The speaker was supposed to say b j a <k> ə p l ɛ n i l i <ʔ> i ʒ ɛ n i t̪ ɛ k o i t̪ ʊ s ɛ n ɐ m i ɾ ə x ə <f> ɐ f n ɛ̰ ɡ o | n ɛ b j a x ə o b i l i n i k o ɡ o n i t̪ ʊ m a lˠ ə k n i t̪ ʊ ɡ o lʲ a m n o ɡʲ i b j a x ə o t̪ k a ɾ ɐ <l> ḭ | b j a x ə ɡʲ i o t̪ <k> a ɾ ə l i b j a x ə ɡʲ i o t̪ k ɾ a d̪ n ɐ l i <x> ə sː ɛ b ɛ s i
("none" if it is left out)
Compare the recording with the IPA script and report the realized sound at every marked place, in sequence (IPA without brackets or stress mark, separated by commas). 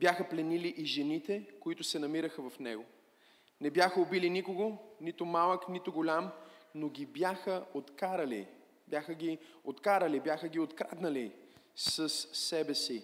x, ʔ, v, l, k, s